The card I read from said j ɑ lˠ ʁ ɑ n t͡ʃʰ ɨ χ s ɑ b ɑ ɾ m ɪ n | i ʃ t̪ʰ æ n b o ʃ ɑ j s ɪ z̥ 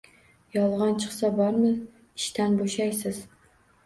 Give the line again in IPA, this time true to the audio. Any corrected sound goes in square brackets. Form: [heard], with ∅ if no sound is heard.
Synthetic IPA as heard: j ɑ lˠ ʁ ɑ n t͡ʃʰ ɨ χ s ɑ b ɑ ɾ m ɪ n | i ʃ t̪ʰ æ n b o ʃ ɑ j s ɪ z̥